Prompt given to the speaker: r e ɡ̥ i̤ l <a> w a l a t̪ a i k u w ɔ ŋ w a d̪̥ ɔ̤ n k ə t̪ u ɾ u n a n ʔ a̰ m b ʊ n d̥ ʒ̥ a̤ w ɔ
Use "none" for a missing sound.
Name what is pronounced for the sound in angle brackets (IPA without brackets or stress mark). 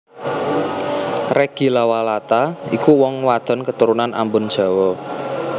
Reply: a